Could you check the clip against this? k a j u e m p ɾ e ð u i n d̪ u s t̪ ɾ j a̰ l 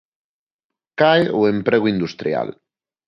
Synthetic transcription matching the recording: k a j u e m p ɾ e ɣ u i n d̪ u s t̪ ɾ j a̰ l